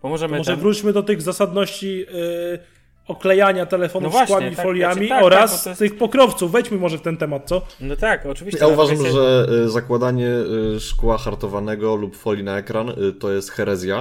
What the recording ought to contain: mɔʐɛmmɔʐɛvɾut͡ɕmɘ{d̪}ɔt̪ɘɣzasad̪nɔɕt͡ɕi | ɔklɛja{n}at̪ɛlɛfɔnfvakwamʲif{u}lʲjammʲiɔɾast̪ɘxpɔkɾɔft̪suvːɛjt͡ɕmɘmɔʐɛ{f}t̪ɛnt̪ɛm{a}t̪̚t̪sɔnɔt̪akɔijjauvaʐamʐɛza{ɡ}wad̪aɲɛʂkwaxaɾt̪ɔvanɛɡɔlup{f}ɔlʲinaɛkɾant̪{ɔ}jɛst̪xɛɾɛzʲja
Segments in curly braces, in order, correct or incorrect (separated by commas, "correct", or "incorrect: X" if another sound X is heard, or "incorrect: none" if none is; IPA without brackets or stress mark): correct, incorrect: ɲ, incorrect: ɔ, correct, correct, incorrect: k, correct, correct